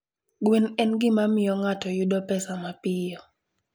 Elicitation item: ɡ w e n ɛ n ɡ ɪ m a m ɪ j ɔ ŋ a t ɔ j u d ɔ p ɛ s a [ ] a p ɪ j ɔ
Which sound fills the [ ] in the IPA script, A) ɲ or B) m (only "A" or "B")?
B